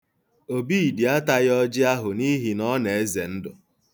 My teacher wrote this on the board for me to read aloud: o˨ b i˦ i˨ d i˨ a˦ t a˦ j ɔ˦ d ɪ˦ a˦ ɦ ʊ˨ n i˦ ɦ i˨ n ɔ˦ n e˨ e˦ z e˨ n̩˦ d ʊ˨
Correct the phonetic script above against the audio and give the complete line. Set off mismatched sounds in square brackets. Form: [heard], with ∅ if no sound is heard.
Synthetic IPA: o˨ b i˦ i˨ d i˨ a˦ t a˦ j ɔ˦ [d͡ʒ] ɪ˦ a˦ ɦ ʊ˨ n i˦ ɦ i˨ n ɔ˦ n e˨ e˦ z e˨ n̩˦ d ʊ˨